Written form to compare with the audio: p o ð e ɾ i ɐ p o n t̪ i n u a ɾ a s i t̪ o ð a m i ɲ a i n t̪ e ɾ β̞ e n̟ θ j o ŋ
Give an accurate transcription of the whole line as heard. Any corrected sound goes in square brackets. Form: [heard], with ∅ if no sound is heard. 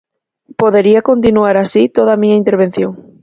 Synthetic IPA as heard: p o ð e ɾ i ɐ [k] o n t̪ i n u a ɾ a s i t̪ o ð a m i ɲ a i n t̪ e ɾ β̞ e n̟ θ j o ŋ